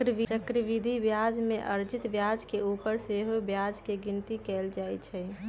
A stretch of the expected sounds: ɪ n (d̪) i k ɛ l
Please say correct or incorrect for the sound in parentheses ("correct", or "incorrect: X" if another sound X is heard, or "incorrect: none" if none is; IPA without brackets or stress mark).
incorrect: t̪